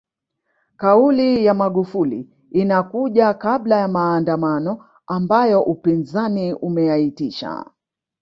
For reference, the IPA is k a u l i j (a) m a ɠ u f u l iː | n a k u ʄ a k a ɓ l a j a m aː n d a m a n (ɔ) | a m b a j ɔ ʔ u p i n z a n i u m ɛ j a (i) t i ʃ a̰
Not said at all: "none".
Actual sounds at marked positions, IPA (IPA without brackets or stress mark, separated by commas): a, ɔ, i